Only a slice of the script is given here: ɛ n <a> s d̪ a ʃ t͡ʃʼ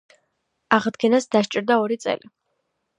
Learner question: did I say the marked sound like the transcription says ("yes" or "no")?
yes